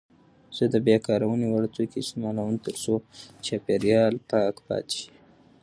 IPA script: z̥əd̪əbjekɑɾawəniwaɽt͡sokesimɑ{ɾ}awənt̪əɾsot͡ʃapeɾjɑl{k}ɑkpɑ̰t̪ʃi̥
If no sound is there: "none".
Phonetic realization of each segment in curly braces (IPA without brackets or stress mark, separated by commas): l, p